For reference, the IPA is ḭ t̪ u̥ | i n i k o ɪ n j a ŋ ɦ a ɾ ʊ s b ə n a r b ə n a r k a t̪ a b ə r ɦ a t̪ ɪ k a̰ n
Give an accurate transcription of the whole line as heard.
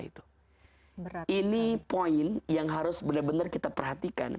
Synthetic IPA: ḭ t̪ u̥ | i n i p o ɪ n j a ŋ ɦ a ɾ ʊ s b ə n a r b ə n a r k i t̪ a p ə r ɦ a t̪ i k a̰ n